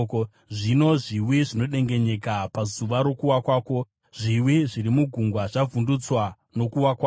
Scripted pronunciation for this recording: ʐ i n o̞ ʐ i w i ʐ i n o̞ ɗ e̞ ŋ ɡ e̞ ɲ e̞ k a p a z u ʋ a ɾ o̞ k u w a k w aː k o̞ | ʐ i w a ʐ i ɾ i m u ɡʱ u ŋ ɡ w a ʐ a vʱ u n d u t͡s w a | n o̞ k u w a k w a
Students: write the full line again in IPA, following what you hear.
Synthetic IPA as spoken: ʐ i n o̞ ʐ i w i ʐ i n o̞ ɗ e̞ ŋ ɡ e̞ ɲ e̞ k a p a z u ʋ a ɾ o̞ k u w a k w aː k o̞ | ʐ i w i ʐ i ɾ i m u ɡʱ u ŋ ɡ w a ʐ a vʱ u n d u t͡s w a | n o̞ k u w a k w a